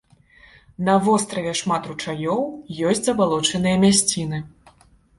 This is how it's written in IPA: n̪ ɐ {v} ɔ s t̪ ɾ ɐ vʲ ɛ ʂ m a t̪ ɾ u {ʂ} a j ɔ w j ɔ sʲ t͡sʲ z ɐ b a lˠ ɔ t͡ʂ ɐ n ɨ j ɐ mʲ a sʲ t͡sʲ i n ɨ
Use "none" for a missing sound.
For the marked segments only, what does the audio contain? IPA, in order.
v, t͡ʂ

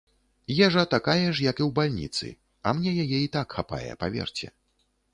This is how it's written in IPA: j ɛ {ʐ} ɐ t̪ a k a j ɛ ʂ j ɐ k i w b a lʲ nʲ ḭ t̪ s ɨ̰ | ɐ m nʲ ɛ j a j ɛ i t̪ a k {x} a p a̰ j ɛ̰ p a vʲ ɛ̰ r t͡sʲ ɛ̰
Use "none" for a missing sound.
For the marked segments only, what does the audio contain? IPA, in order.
ʐ, x

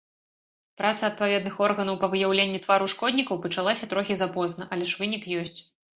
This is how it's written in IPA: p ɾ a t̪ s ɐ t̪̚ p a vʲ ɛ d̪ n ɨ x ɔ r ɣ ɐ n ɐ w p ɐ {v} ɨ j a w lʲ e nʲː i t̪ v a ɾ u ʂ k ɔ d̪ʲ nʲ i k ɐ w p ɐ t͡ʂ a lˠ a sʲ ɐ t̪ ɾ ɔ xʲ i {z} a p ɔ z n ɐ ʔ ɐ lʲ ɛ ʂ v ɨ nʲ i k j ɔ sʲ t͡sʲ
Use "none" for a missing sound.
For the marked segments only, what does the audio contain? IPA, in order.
v, z

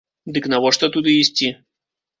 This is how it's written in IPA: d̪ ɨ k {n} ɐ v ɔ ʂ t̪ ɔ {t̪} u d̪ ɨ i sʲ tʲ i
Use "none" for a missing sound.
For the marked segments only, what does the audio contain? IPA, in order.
n, t̪

